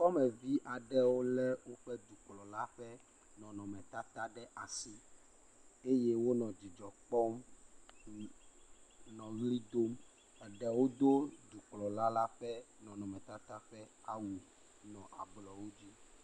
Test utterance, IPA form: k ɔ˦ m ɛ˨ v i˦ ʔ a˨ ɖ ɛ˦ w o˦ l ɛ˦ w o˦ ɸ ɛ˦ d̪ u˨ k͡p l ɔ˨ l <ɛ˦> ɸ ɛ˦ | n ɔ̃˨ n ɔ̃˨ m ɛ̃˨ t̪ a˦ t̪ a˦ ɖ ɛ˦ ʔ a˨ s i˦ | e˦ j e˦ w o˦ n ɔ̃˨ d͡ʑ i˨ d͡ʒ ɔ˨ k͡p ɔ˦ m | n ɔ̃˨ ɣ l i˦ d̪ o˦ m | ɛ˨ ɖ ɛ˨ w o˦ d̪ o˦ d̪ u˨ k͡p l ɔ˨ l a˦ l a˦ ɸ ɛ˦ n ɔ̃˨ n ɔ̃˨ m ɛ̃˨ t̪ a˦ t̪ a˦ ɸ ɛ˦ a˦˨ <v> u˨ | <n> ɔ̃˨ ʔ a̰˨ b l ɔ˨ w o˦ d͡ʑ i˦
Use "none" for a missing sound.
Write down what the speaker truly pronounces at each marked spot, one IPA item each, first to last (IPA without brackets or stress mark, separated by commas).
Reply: a˦, w, n